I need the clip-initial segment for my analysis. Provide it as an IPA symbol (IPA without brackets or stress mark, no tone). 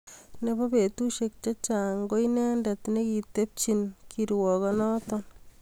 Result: n